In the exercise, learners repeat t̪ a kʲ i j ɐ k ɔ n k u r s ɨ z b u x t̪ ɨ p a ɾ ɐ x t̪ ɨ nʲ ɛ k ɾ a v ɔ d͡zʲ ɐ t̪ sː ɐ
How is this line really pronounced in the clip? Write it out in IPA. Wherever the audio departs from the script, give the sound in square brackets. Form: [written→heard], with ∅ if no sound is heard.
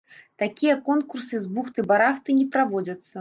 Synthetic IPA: t̪ a kʲ i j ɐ k ɔ n k u r s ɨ z b u x t̪ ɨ [p→b] a ɾ [ɐ→a] x t̪ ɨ nʲ ɛ [k→p] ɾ a v ɔ d͡zʲ ɐ t̪ sː ɐ